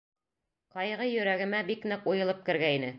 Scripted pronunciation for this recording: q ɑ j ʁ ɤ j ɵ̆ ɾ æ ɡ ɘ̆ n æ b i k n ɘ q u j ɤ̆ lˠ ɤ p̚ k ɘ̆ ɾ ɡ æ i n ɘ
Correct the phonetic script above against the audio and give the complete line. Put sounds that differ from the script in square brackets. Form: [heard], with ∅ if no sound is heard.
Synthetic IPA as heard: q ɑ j ʁ ɤ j ɵ̆ ɾ æ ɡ ɘ̆ [m] æ b i k n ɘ q u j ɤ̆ lˠ ɤ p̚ k ɘ̆ ɾ ɡ æ i n ɘ